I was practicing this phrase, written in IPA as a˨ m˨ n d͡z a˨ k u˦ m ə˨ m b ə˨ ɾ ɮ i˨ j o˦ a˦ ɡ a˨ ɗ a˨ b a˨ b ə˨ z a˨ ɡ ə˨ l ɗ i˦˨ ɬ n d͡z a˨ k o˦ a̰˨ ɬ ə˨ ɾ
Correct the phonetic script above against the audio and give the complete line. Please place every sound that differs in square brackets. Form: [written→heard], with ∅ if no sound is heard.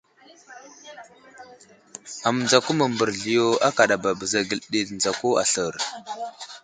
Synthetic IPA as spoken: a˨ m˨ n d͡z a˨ k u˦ m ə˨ m b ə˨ ɾ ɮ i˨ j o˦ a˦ [ɡ→k] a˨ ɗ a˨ b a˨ b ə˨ z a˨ ɡ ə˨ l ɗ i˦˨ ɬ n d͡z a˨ k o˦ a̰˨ ɬ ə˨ ɾ